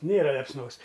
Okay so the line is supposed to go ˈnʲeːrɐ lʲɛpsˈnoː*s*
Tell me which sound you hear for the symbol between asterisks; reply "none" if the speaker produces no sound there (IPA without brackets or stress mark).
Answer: s